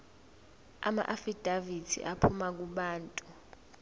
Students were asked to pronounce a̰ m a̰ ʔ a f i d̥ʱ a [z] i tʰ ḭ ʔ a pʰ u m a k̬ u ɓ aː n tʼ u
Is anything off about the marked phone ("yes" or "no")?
yes